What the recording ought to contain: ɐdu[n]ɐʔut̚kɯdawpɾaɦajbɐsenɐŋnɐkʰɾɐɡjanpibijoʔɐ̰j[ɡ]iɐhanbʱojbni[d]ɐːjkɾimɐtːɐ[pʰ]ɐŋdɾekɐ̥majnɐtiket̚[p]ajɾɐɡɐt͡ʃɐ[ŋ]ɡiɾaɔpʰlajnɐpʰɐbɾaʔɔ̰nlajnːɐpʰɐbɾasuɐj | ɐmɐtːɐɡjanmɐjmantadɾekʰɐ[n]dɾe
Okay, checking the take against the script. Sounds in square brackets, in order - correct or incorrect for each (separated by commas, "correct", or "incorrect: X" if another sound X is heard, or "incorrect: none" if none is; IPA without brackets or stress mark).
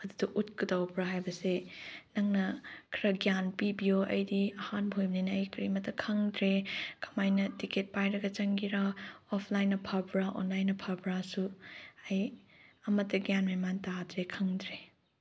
incorrect: d, incorrect: d, incorrect: n, incorrect: kʰ, correct, correct, incorrect: ŋ